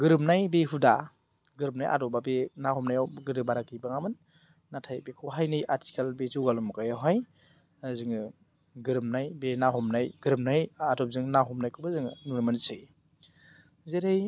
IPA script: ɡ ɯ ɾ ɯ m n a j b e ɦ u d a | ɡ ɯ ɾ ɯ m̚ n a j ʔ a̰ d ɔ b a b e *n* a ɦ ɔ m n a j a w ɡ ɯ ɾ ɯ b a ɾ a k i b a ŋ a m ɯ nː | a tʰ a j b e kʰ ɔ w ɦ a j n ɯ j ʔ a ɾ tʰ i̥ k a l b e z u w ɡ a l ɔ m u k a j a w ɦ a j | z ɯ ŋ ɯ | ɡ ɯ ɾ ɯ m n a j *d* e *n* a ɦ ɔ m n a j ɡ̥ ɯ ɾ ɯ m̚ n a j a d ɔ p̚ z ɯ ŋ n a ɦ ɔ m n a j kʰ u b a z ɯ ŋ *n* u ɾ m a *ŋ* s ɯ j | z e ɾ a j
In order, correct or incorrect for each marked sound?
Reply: correct, incorrect, correct, correct, incorrect

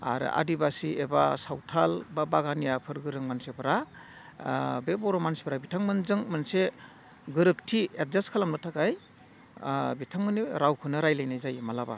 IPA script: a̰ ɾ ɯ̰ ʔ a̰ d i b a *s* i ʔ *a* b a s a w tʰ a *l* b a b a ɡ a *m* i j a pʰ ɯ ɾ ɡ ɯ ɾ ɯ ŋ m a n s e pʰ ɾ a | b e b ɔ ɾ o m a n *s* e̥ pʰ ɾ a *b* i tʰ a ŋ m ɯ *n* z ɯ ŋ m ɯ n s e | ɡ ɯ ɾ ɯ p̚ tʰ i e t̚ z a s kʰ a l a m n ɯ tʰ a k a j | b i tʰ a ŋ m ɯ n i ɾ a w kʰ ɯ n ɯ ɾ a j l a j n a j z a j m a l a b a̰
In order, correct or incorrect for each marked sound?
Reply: correct, incorrect, correct, incorrect, correct, correct, correct

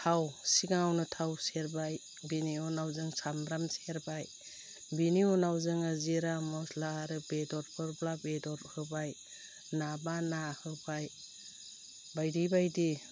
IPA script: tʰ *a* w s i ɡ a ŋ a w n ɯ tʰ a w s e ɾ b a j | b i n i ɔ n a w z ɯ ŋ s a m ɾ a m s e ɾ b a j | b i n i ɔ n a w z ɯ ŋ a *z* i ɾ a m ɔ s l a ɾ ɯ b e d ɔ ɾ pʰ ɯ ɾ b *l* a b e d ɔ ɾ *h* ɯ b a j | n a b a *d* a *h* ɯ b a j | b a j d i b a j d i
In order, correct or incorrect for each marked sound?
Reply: correct, correct, correct, correct, incorrect, correct

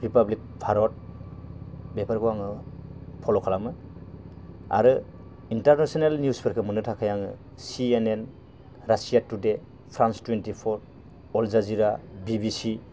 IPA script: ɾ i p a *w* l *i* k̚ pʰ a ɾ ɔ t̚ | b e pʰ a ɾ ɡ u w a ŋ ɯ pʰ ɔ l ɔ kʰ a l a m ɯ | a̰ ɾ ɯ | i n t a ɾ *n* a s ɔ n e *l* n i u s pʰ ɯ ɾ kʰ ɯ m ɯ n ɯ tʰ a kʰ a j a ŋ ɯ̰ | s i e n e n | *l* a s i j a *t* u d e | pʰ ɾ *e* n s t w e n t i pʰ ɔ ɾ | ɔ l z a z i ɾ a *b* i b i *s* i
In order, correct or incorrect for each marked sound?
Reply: incorrect, correct, correct, correct, incorrect, correct, incorrect, correct, correct

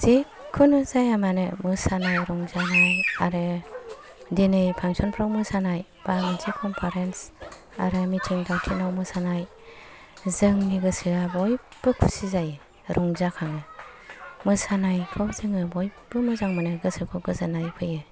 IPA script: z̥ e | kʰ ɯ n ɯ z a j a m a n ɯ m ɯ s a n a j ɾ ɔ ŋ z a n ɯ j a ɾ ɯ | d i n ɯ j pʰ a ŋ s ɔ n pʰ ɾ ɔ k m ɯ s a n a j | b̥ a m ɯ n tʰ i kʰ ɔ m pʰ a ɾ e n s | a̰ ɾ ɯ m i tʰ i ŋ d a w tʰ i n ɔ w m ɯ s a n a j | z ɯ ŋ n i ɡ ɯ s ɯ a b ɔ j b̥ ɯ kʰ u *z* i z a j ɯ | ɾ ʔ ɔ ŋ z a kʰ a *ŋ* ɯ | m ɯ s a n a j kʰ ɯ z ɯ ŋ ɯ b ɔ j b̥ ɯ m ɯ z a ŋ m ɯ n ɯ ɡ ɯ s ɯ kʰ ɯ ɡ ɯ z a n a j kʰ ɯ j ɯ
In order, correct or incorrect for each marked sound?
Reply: incorrect, correct

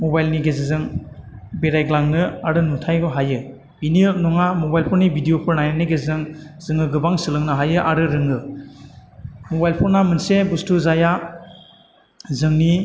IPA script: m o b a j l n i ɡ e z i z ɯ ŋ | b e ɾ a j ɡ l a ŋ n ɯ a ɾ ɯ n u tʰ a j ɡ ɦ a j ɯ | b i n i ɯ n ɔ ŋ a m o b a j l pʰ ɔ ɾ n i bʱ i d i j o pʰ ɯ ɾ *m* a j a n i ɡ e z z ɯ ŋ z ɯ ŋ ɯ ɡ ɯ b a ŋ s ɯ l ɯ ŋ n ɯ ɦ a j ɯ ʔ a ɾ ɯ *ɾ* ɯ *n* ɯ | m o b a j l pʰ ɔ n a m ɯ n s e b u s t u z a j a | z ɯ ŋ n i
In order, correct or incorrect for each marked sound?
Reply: incorrect, correct, incorrect

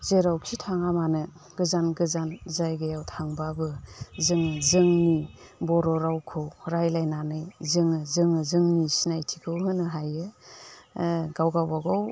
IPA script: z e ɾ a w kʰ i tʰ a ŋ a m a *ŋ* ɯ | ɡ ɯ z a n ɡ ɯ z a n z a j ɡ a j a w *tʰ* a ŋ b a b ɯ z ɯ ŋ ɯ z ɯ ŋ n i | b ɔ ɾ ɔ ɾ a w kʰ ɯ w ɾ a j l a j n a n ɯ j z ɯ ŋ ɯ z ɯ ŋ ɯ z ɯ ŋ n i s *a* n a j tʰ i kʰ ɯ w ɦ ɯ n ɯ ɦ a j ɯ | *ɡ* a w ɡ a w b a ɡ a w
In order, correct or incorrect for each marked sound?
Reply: incorrect, correct, incorrect, correct

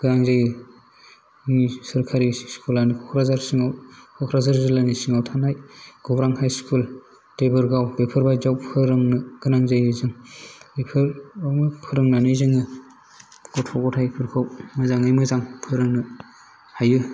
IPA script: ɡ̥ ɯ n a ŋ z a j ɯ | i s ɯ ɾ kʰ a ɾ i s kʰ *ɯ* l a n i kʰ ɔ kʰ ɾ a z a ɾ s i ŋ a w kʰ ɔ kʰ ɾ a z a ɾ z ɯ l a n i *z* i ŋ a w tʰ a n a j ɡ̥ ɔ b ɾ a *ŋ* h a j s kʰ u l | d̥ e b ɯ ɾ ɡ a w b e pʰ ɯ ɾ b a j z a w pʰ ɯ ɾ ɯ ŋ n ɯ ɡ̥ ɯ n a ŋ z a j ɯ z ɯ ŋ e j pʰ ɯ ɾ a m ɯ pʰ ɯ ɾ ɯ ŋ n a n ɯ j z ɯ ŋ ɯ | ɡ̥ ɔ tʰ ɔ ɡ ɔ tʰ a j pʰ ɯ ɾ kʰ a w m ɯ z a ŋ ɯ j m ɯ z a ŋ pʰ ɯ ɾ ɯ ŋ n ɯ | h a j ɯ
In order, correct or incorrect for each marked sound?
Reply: incorrect, incorrect, correct

